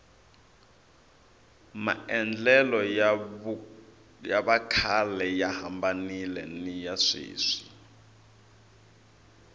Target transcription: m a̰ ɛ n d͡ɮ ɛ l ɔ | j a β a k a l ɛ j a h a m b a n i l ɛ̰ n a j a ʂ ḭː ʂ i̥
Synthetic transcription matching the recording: m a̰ ɛ n d͡ɮ ɛ l ɔ | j a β a kʰ a l ɛ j a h a m b a n i l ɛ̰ n i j a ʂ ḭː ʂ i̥